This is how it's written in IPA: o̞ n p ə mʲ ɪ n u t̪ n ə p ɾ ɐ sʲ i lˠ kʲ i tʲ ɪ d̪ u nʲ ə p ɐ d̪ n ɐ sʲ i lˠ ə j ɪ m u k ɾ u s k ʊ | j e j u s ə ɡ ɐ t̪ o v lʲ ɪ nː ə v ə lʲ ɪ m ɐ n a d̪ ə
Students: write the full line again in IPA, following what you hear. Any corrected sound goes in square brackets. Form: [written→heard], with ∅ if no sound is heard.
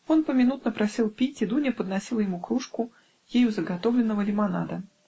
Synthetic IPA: o̞ n p ə mʲ ɪ n u t̪ n ə p ɾ ɐ sʲ i lˠ [kʲ→pʲ] i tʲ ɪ d̪ u nʲ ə p [ɐ→ə] d̪ n ɐ sʲ i lˠ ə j ɪ m u k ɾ u [s→ʂ] k ʊ | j e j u [s→z] ə ɡ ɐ t̪ o v lʲ ɪ nː ə v ə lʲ ɪ m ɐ n a d̪ ə

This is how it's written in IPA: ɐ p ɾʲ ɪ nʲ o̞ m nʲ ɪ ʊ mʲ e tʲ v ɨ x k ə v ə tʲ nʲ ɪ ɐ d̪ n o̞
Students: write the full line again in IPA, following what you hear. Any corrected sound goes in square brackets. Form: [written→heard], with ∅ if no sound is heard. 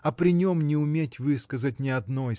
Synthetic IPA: ɐ p ɾʲ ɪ nʲ o̞ m nʲ ɪ ʊ mʲ e tʲ v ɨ [x→s] k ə [v→z] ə tʲ nʲ ɪ ɐ d̪ n o̞

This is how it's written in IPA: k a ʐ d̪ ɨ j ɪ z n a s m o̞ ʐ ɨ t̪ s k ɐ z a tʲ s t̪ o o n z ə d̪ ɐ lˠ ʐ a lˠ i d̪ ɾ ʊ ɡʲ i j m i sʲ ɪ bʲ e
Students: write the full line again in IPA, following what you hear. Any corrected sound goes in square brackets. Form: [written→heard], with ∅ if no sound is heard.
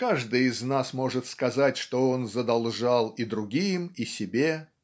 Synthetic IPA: k a ʐ d̪ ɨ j ɪ z n a s m o̞ ʐ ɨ t̪ s k ɐ z a tʲ [s→ʂ] t̪ o o n z ə d̪ ɐ lˠ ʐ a lˠ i d̪ ɾ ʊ ɡʲ i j m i sʲ ɪ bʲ e

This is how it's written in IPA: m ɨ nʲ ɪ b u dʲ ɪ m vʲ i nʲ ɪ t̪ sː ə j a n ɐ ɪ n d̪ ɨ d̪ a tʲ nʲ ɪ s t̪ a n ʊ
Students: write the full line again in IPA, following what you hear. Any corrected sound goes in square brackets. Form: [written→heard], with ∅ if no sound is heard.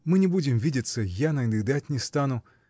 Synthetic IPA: m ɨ nʲ ɪ b u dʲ ɪ m vʲ i [nʲ→dʲ] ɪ t̪ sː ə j a n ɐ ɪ n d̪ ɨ d̪ a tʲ nʲ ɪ s t̪ a n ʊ

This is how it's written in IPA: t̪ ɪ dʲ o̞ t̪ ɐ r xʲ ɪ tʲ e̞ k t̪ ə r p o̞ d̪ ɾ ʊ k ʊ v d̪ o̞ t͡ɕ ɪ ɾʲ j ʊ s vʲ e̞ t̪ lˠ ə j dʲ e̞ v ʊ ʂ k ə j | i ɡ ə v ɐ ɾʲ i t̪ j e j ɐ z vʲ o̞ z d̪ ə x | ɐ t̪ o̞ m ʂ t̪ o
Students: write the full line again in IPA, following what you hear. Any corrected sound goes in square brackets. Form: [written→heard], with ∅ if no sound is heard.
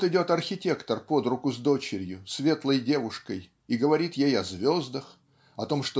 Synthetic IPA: t̪ ɪ dʲ o̞ t̪ ɐ r xʲ ɪ tʲ e̞ k t̪ ə r p o̞ d̪ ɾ ʊ k ʊ [v→z] d̪ o̞ t͡ɕ ɪ ɾʲ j ʊ s vʲ e̞ t̪ lˠ ə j dʲ e̞ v ʊ ʂ k ə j | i ɡ ə v ɐ ɾʲ i t̪ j e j ɐ z vʲ o̞ z d̪ ə x | ɐ t̪ o̞ m ʂ t̪ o

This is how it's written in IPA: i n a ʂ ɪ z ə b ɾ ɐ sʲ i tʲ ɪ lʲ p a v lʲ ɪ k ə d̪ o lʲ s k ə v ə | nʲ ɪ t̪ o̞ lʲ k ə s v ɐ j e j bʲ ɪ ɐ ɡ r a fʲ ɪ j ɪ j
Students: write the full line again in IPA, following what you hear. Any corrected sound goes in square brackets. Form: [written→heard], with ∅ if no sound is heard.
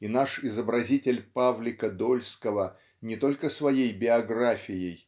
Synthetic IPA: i n a ʂ ɪ z ə b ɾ ɐ [sʲ→zʲ] i tʲ ɪ lʲ p a v lʲ ɪ k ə d̪ o lʲ s k ə v ə | nʲ ɪ t̪ o̞ lʲ k ə s v ɐ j e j bʲ ɪ ɐ ɡ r a fʲ ɪ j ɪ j

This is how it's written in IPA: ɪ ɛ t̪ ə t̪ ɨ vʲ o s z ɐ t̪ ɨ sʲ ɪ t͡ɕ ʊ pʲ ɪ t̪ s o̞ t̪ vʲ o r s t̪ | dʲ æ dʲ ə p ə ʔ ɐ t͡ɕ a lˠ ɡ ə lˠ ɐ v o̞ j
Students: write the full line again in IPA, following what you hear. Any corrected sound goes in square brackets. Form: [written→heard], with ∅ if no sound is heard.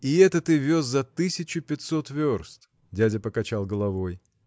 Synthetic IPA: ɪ ɛ t̪ ə t̪ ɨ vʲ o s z ɐ t̪ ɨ sʲ ɪ t͡ɕ ʊ pʲ ɪ t̪ s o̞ t̪ vʲ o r s t̪ | dʲ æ dʲ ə p ə [ʔ→k] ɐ t͡ɕ a lˠ ɡ ə lˠ ɐ v o̞ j

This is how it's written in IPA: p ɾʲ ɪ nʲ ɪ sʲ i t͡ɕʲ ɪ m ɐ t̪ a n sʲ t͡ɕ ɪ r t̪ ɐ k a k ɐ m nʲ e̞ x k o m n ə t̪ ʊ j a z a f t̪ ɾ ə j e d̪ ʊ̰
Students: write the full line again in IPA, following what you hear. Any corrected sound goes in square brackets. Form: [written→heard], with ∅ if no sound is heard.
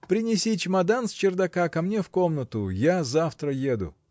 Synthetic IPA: p ɾʲ ɪ nʲ ɪ sʲ i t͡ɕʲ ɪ m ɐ [t̪→d̪] a n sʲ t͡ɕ ɪ r [t̪→d̪] ɐ k a k ɐ m nʲ e̞ [x→f] k o m n ə t̪ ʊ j a z a f t̪ ɾ ə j e d̪ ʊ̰

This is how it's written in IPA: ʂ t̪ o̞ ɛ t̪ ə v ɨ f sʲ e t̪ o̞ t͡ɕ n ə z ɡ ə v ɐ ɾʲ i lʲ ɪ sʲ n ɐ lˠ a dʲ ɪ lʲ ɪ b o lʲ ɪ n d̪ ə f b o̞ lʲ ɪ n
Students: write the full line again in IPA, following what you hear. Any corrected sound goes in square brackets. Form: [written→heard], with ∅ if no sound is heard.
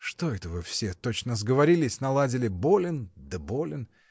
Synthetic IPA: ʂ t̪ o̞ ɛ t̪ ə v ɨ f sʲ e t̪ o̞ t͡ɕ n ə z ɡ ə v ɐ ɾʲ i lʲ ɪ sʲ n ɐ lˠ a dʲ ɪ lʲ ɪ b o lʲ ɪ n d̪ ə [f→∅] b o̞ lʲ ɪ n

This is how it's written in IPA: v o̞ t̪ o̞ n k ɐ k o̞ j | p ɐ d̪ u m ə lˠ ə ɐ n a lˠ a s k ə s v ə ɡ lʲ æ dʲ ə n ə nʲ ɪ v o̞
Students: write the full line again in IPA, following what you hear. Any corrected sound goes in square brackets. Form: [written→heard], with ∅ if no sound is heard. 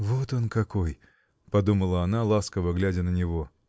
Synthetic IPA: v o̞ t̪ o̞ n k ɐ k o̞ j | p ɐ d̪ u m ə lˠ ə ɐ n a lˠ a s k ə [s→∅] v ə ɡ lʲ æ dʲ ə n ə nʲ ɪ v o̞

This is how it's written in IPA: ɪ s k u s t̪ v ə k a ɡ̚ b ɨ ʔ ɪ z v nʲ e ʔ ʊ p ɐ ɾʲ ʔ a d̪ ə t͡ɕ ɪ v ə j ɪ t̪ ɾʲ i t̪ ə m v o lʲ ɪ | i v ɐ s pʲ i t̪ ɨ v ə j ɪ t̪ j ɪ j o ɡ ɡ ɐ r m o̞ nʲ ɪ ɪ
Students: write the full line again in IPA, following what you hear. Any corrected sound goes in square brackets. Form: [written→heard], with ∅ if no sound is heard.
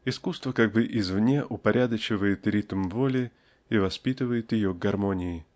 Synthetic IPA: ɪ s k u s t̪ v ə k a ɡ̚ b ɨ ʔ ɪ z v nʲ e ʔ ʊ p ɐ ɾʲ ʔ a d̪ ə t͡ɕ ɪ v ə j ɪ t̪ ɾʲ i t̪ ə m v o lʲ ɪ | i v ɐ s pʲ i t̪ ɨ v ə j ɪ t̪ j ɪ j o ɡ ɡ ɐ r m o̞ nʲ ɪ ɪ

